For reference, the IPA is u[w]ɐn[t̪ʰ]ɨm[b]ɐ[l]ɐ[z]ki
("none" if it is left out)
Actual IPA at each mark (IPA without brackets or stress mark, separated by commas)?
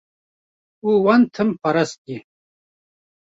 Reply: w, t̪ʰ, p, ɾ, s